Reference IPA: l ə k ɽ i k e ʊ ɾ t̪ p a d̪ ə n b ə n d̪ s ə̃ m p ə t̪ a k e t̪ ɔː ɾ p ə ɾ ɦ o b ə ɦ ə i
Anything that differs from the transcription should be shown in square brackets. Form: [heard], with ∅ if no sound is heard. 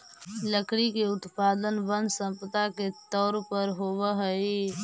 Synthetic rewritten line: l ə k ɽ i k e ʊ [∅] t̪ p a d̪ ə n b ə n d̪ s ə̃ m p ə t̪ a k e t̪ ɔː ɾ p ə ɾ ɦ o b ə ɦ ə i